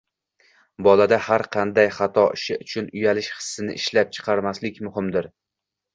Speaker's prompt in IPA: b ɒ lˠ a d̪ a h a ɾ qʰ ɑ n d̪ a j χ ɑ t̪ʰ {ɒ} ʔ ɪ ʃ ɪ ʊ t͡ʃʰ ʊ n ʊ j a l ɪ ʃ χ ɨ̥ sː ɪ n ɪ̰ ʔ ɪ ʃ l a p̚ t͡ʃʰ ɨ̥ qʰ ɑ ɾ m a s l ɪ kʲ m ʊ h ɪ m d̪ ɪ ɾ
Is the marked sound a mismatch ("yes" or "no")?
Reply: no